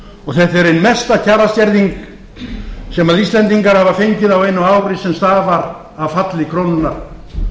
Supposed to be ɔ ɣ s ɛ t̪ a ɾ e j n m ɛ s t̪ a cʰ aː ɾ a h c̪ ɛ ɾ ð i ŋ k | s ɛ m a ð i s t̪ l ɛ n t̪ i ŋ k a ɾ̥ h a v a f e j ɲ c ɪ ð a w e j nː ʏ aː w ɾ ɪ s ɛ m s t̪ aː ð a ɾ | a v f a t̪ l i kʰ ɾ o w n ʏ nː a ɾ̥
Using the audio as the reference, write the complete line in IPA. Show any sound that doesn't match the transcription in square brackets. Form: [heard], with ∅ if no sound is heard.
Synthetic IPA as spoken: ɔ ɣ [θ] ɛ t̪ [ɛ] ɾ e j n m ɛ s t̪ a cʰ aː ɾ a [s] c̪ ɛ ɾ ð i ŋ k | s ɛ m a ð i s t̪ l ɛ n t̪ i ŋ k a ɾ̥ h a v a f e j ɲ c ɪ ð a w e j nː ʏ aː w ɾ ɪ s ɛ m s t̪ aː [v] a ɾ | a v f a t̪ l [ɪ] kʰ ɾ o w n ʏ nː a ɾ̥